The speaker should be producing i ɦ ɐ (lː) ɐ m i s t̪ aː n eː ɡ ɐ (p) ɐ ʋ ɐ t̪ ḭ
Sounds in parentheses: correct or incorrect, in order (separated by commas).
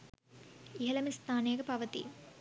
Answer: incorrect, correct